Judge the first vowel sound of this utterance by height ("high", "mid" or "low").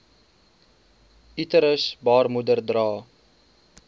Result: high